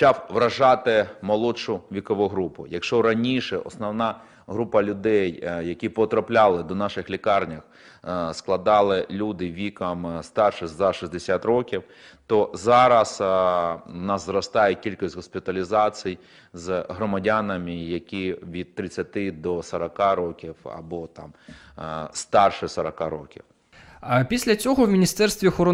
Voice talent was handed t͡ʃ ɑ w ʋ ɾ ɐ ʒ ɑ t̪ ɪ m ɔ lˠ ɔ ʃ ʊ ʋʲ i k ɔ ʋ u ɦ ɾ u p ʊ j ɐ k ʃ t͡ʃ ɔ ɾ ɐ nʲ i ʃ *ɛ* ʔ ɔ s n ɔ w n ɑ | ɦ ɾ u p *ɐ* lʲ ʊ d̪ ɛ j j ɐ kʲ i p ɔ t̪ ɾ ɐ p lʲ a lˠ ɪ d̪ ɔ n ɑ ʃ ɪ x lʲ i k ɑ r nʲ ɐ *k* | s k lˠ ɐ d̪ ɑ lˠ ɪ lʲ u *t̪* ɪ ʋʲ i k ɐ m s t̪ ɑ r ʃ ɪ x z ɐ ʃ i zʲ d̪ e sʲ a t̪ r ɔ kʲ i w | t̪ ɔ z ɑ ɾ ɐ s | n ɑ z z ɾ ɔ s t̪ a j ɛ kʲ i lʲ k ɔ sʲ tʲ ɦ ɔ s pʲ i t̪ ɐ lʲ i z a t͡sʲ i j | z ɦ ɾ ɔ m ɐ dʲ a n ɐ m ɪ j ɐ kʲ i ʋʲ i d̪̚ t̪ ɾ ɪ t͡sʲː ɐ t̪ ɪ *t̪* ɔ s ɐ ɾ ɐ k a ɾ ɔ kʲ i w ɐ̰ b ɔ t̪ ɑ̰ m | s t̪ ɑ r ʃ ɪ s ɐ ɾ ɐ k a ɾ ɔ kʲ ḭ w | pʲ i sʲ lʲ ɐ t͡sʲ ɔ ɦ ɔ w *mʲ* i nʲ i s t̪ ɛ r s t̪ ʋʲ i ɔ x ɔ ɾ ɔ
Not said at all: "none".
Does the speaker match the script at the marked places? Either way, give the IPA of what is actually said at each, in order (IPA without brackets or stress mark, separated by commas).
ɛ, ɐ, x, d̪, d̪, mʲ